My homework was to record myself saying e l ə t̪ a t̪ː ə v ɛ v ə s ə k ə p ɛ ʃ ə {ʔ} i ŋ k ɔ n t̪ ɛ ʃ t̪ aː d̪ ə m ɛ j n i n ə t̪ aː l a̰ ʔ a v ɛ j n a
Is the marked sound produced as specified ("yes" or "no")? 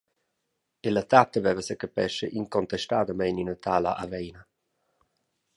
yes